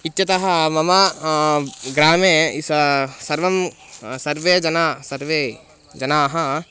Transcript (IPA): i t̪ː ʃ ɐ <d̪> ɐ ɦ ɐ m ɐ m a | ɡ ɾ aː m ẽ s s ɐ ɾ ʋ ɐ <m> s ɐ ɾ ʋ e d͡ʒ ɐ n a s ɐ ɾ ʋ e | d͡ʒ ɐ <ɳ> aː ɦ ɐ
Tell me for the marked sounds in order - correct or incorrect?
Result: incorrect, correct, incorrect

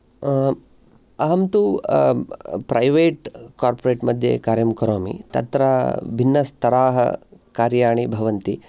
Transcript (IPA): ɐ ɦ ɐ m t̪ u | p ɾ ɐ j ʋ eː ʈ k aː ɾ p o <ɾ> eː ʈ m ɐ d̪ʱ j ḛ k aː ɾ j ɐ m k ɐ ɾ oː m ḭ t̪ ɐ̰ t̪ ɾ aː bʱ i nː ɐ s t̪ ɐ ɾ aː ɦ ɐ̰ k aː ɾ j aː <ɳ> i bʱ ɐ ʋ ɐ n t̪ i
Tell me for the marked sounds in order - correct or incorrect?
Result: correct, correct

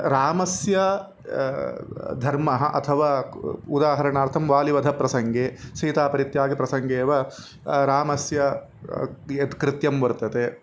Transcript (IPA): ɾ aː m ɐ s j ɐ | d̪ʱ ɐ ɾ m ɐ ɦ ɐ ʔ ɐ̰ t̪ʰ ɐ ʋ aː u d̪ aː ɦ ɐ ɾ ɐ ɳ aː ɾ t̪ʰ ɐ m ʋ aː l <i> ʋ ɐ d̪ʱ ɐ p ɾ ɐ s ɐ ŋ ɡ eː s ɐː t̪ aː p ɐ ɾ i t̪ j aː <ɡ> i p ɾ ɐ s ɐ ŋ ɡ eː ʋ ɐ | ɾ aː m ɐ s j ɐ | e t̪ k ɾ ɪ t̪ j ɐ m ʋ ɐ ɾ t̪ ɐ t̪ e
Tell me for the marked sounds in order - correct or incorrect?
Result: correct, correct

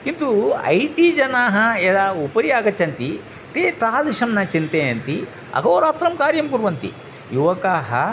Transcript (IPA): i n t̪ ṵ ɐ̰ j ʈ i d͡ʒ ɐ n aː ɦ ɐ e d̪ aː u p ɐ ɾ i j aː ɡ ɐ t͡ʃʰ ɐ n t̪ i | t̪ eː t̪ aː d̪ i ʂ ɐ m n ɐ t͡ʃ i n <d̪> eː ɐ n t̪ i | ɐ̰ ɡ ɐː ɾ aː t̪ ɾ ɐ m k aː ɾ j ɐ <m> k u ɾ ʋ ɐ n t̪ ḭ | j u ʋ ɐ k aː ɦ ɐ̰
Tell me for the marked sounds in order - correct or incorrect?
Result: incorrect, correct

